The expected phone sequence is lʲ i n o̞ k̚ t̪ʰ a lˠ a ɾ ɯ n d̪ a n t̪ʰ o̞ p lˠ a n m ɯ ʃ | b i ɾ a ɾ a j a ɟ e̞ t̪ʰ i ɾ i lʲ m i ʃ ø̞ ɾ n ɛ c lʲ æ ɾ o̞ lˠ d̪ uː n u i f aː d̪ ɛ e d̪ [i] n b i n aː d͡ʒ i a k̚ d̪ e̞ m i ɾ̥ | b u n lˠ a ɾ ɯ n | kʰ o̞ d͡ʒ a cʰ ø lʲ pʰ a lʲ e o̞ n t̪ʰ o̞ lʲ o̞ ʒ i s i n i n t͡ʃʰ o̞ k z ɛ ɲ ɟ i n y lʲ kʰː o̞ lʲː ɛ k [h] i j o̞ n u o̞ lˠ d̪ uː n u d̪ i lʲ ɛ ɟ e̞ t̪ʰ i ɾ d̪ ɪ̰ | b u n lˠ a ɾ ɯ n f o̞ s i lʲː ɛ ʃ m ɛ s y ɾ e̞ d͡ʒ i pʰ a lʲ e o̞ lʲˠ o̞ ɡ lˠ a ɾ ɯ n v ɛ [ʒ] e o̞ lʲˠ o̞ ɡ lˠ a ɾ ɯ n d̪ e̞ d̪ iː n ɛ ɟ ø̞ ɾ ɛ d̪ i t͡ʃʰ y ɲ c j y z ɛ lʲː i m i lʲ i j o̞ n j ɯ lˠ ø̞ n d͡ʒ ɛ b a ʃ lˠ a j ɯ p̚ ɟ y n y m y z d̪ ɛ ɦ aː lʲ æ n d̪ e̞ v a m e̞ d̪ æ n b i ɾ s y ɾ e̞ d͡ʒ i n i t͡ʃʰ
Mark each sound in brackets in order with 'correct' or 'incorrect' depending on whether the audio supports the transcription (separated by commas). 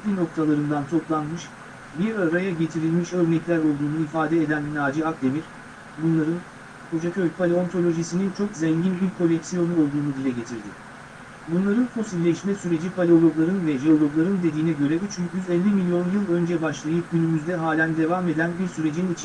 incorrect, incorrect, correct